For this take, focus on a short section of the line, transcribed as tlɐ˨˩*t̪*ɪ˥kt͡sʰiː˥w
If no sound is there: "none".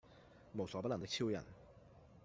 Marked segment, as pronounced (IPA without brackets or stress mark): t̪